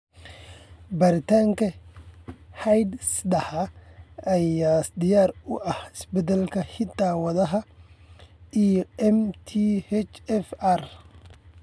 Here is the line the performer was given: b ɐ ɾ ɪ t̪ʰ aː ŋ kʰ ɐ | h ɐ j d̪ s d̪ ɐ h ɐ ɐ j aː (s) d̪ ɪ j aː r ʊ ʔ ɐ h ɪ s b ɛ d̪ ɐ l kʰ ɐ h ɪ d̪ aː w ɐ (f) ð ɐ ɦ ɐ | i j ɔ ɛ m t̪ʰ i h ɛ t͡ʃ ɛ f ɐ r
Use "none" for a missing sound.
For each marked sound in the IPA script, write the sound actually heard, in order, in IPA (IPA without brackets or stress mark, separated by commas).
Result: s, none